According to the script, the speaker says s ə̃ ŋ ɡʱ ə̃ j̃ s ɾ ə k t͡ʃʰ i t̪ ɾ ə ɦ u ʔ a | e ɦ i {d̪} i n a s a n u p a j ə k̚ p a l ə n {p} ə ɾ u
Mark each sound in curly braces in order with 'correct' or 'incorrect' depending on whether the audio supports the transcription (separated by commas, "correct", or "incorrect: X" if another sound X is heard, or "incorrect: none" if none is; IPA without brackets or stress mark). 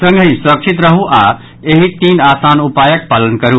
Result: incorrect: t̪, incorrect: k